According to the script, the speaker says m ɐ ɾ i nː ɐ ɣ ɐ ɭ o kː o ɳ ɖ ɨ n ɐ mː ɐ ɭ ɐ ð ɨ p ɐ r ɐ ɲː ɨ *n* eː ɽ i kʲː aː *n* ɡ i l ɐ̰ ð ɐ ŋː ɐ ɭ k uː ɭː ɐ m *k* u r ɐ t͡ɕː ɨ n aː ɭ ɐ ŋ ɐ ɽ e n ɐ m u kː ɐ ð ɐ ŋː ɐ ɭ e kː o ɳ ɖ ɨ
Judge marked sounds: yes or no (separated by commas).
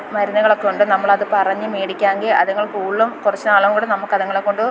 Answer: no, no, yes